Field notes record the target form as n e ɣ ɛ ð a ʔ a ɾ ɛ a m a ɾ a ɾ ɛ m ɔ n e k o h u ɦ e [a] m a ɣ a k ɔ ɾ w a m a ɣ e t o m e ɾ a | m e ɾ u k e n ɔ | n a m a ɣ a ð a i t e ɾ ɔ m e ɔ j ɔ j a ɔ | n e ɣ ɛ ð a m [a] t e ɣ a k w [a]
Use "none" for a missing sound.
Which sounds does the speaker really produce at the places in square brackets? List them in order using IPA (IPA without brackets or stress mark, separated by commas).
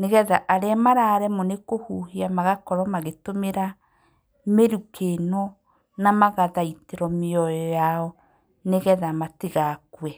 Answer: a, a, ɛ